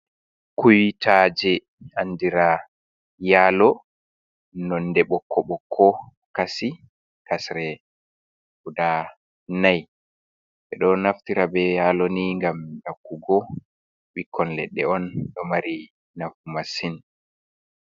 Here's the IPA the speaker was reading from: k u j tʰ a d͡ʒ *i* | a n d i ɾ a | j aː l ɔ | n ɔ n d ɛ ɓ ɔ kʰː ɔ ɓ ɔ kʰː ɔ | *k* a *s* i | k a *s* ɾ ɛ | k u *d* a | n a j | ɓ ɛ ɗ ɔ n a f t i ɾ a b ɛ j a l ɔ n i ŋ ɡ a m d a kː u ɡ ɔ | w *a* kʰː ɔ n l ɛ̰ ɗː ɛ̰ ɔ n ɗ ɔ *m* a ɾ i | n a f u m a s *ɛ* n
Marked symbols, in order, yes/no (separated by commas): no, yes, yes, yes, yes, no, yes, no